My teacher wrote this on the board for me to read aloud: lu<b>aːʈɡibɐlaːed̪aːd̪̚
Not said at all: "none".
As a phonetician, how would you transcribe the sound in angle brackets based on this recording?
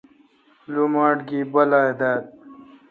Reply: m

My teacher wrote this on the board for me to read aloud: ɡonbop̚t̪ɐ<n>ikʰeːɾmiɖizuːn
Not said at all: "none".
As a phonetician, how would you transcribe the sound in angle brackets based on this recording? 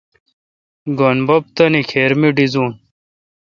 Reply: n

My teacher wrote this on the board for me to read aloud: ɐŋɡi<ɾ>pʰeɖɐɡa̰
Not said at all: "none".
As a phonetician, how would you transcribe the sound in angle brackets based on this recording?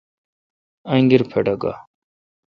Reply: ɾ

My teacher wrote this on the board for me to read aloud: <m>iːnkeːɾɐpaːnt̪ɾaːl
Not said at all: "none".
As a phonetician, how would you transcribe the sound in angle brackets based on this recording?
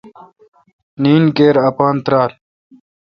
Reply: n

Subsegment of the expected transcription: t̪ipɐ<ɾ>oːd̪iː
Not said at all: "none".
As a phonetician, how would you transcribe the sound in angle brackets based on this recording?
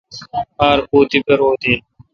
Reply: ɾ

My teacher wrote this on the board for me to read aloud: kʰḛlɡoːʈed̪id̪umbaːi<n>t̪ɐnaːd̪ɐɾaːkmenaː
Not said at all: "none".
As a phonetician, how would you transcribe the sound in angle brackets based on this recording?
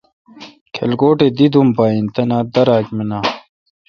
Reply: n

